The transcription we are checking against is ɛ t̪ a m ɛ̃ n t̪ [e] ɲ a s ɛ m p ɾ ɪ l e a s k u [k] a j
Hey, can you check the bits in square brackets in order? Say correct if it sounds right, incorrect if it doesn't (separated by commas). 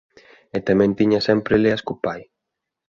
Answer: incorrect, incorrect